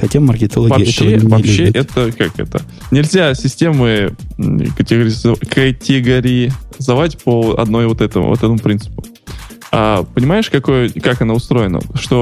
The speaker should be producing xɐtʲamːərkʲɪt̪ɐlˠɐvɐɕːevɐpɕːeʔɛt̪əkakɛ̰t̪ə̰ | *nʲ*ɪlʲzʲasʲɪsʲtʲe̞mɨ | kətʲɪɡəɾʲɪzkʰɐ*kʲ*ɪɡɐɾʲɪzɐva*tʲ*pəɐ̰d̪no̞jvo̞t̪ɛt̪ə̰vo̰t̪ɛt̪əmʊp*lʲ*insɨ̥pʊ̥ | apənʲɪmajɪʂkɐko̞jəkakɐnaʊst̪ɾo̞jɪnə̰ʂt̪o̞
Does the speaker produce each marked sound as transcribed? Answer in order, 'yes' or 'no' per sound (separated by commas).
yes, no, yes, no